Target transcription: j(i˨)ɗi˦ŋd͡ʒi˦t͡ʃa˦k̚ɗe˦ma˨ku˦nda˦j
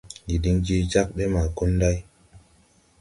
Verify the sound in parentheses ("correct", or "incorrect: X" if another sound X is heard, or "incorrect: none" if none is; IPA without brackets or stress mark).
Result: correct